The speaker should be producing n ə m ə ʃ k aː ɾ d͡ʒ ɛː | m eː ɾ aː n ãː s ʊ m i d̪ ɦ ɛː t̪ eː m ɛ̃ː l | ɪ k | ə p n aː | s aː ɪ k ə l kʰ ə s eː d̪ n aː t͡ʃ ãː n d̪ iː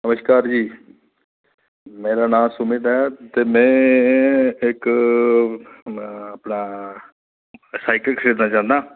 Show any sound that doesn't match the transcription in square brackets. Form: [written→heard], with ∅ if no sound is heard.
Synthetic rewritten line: n ə m ə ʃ k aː ɾ d͡ʒ [ɛː→iː] | m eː ɾ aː n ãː s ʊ m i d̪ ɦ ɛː t̪ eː m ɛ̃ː [l→∅] | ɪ k | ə p n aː | s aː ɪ k ə l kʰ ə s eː d̪ n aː t͡ʃ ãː n d̪ [iː→aː]